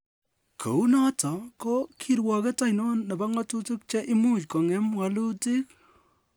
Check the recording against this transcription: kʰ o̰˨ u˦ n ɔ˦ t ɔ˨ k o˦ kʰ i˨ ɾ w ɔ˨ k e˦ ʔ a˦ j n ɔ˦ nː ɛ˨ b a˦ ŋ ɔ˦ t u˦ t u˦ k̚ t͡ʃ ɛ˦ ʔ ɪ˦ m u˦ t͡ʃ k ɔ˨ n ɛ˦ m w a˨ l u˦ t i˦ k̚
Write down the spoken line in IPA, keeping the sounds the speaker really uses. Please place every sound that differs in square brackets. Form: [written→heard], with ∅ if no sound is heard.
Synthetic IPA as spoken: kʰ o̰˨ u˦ n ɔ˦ t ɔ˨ k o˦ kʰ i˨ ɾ w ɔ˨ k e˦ [ʔ→t] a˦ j n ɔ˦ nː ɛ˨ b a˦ ŋ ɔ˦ t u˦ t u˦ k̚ t͡ʃ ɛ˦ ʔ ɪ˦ m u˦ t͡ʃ k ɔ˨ [n→ŋ] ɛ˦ m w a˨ l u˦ t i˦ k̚